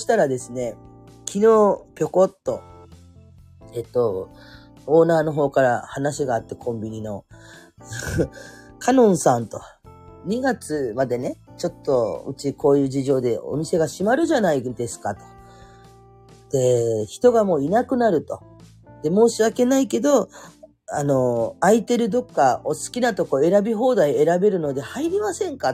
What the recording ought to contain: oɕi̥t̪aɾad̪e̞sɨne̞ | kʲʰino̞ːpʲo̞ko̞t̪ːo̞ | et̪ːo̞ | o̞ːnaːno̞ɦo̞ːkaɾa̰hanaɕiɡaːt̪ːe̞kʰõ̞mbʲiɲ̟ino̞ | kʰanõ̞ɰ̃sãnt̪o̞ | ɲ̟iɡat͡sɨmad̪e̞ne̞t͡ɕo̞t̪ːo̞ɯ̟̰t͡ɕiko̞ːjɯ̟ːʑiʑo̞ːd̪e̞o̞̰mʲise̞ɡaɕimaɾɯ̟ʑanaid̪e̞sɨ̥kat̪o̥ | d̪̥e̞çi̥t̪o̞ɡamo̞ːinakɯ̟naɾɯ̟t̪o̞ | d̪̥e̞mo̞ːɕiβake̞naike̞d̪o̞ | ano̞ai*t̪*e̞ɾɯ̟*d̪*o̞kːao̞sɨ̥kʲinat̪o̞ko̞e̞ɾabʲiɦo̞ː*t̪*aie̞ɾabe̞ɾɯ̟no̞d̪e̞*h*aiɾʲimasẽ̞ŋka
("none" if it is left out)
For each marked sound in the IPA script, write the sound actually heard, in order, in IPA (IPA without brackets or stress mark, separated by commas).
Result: t̪, d̪, d̪, h